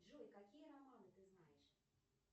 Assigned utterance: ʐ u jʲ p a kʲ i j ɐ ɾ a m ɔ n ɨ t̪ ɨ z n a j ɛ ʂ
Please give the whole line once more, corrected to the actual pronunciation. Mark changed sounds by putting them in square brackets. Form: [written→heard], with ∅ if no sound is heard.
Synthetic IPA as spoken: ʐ u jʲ [p→k] a kʲ i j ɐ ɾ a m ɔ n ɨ t̪ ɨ z n a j ɛ ʂ